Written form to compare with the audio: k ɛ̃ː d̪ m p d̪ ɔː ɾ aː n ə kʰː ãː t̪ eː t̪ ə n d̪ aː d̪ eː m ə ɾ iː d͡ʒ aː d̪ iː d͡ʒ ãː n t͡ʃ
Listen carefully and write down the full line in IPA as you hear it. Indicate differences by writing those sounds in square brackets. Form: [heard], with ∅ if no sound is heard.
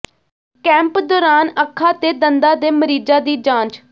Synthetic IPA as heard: k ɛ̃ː [∅] m p d̪ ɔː ɾ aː n ə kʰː [aː] t̪ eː [d̪] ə n d̪ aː d̪ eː m ə ɾ iː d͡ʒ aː d̪ iː d͡ʒ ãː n t͡ʃ